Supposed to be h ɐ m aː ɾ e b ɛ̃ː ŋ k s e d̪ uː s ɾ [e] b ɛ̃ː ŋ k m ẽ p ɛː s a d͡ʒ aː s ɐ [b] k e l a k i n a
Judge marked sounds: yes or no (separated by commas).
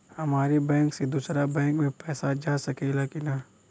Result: no, no